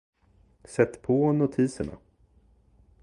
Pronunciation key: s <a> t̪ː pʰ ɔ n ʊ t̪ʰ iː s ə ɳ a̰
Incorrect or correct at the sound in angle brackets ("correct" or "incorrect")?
incorrect